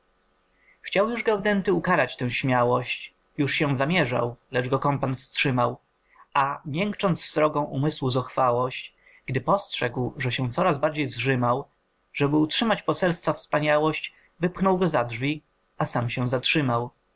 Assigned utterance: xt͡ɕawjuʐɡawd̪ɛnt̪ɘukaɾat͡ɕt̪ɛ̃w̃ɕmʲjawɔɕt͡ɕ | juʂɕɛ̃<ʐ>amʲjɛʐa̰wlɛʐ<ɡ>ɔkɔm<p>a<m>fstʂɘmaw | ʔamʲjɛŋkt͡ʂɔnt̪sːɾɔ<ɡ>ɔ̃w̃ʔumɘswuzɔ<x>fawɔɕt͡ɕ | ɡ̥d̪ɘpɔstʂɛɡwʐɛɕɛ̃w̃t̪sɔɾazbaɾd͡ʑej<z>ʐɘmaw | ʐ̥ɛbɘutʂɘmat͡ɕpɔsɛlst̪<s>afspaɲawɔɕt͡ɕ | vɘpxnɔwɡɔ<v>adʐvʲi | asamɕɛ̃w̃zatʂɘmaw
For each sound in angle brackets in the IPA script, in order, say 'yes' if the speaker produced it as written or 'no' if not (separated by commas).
no, yes, yes, no, yes, yes, yes, no, no